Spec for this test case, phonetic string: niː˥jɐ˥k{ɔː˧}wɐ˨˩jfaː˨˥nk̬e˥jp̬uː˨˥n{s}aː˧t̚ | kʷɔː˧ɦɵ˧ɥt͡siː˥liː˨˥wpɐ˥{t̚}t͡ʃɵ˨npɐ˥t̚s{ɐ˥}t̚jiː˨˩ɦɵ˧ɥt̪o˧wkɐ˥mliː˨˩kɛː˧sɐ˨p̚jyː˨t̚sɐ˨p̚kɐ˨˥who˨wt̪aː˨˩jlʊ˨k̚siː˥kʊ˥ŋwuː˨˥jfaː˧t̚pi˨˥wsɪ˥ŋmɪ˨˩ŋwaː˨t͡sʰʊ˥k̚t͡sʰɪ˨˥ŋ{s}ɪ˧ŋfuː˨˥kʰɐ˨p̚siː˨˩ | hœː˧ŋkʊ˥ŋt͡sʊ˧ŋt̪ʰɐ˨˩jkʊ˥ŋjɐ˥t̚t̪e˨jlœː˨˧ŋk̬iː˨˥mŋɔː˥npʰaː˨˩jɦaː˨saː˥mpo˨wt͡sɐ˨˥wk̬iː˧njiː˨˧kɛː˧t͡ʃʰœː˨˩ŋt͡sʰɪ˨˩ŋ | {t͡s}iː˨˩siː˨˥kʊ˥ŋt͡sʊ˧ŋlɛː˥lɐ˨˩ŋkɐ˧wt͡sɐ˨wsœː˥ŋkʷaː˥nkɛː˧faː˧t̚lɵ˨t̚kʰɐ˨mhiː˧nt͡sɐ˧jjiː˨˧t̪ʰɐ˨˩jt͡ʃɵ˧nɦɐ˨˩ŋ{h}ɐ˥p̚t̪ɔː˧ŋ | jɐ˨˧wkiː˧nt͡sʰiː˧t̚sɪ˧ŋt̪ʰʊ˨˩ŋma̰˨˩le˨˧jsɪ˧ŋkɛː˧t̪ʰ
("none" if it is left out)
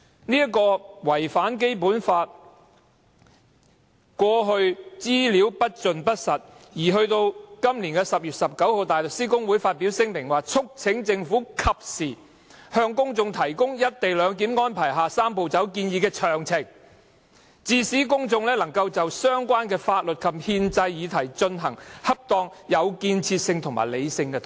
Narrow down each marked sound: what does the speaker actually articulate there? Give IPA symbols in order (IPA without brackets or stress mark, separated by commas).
ɔː˧, f, t̚, ɐ˨, t͡s, t͡s, h